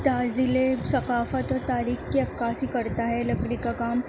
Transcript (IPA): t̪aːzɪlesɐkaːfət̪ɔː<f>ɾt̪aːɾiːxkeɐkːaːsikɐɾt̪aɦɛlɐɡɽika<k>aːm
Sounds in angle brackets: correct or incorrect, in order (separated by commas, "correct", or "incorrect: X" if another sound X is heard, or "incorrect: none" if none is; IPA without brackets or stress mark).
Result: incorrect: none, correct